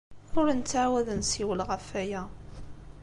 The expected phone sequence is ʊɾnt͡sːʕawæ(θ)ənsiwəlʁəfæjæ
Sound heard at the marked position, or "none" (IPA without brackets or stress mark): ð